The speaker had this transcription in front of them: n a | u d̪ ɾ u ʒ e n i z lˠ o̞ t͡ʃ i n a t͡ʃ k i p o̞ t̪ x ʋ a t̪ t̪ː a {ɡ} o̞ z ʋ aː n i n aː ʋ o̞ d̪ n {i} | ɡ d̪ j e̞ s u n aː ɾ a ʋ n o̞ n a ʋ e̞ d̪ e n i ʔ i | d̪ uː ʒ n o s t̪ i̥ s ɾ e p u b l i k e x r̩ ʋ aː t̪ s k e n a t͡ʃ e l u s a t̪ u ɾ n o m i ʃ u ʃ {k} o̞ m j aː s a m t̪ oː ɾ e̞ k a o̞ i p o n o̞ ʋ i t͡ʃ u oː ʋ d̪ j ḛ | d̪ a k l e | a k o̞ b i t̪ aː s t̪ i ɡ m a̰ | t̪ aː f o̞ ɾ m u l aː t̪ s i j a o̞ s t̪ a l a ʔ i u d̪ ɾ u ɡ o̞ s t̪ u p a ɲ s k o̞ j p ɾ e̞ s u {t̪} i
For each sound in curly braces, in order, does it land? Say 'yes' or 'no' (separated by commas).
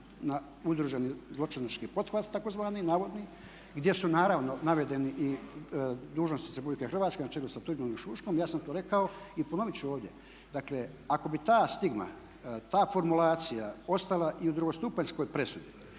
no, yes, yes, no